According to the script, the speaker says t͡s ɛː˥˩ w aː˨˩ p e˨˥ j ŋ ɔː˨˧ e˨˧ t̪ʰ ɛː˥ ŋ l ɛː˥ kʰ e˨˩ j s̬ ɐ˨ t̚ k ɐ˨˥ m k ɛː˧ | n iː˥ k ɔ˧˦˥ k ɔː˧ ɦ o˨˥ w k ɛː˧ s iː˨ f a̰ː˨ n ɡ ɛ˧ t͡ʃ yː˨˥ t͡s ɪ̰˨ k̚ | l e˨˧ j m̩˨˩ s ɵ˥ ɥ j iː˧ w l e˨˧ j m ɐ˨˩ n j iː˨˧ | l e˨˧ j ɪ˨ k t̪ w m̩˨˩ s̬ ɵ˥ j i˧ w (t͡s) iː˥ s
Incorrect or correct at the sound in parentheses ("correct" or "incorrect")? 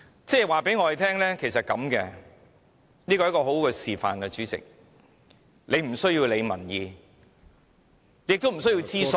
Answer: correct